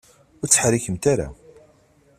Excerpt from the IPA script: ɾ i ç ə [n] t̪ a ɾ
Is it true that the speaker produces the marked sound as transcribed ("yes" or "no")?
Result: no